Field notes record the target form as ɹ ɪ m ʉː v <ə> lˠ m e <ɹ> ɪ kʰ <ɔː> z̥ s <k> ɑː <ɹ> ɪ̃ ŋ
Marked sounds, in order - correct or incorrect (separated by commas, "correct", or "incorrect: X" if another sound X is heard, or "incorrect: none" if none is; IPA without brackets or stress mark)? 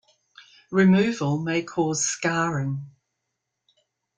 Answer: correct, incorrect: none, correct, correct, correct